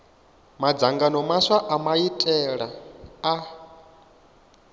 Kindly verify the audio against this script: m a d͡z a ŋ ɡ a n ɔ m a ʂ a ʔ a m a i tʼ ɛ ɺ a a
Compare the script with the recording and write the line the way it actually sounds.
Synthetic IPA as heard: m a d͡z a ŋ ɡ a n ɔ m a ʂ a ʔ a m a i tʼ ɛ ɺ a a